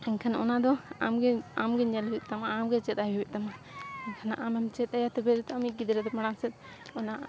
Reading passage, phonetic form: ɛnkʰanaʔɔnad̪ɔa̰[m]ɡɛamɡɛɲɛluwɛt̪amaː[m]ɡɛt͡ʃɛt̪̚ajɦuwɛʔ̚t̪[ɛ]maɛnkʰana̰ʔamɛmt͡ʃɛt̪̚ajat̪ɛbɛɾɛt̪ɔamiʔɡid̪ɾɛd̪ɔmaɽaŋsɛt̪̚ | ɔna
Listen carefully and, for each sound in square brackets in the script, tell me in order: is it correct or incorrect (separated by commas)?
correct, correct, incorrect